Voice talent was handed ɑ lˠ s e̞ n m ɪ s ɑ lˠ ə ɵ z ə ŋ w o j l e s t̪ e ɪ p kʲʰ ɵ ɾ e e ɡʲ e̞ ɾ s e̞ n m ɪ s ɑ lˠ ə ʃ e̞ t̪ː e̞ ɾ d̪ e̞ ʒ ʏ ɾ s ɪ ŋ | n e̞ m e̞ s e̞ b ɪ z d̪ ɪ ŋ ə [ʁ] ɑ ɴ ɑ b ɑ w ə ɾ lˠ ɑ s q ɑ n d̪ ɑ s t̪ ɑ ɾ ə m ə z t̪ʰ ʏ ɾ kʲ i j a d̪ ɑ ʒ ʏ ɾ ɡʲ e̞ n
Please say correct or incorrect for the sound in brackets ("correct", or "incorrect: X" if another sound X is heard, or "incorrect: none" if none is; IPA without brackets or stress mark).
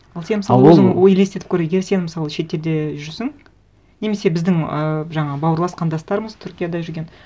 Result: incorrect: ʒ